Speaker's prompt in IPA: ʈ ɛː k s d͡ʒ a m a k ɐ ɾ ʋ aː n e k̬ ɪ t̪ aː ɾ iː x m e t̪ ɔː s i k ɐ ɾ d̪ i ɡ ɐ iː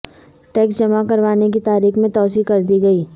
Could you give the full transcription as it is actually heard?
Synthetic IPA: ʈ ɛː k s d͡ʒ ɐ m a k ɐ ɾ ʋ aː n e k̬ i t̪ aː ɾ iː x m ẽ t̪ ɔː s i k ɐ ɾ d̪ i ɡ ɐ iː